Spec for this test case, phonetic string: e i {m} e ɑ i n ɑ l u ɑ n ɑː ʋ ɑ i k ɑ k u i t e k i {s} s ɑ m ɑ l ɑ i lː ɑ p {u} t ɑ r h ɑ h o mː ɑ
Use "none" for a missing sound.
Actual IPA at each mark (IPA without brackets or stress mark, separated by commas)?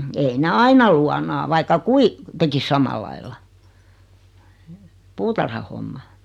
n, s, uː